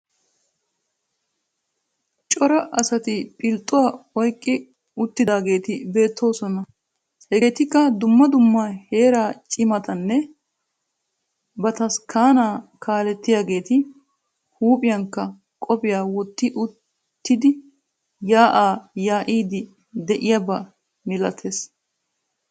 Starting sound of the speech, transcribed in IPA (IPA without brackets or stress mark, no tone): t͡ʃʼ